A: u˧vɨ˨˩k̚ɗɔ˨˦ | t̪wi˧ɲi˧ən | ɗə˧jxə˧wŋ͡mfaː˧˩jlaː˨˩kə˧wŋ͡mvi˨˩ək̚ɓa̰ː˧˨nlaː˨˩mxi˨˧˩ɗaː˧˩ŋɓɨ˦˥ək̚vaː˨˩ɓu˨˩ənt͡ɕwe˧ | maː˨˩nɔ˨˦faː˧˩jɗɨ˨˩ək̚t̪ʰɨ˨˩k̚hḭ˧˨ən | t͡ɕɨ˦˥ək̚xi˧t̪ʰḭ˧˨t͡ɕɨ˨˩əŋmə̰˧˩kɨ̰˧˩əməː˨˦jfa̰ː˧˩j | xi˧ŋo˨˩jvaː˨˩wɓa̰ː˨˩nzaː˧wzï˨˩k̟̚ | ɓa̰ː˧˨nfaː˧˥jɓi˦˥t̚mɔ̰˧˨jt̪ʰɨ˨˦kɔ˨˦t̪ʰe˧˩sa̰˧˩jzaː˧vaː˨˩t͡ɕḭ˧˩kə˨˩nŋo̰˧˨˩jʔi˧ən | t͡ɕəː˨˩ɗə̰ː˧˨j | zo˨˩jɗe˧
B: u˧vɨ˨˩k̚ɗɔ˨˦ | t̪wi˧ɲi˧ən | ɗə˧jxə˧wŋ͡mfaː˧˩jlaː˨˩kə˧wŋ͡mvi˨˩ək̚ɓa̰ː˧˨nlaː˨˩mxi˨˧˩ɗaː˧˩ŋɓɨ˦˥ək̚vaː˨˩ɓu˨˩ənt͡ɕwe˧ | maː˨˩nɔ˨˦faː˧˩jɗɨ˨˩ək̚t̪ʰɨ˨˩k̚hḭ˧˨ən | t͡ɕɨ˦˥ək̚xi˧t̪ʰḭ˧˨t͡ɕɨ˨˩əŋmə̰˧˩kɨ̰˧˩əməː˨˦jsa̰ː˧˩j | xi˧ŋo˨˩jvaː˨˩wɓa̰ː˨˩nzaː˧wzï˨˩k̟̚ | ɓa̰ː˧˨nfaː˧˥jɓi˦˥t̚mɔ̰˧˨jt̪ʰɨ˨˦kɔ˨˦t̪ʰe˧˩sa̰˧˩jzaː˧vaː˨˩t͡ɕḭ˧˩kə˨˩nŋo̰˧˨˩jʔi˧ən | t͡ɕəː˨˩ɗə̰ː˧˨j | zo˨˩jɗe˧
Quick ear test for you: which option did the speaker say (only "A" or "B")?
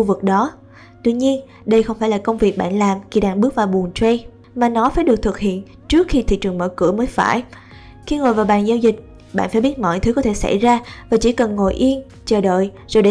A